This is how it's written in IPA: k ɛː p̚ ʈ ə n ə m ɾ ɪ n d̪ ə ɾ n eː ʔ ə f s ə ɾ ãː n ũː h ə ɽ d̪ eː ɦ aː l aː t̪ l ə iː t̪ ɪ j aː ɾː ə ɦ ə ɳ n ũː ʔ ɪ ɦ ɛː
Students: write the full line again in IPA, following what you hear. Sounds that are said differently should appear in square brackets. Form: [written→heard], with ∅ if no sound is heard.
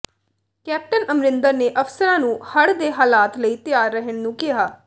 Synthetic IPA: k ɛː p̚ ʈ ə n ə m ɾ ɪ n d̪ ə ɾ n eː ʔ ə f s ə ɾ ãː n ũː h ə ɽ d̪ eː ɦ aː l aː t̪ l ə iː t̪ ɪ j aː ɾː ə ɦ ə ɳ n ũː [ʔ→k] ɪ ɦ [ɛː→aː]